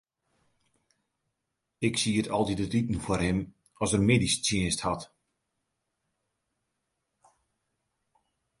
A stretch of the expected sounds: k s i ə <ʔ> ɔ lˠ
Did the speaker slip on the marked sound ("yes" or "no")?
yes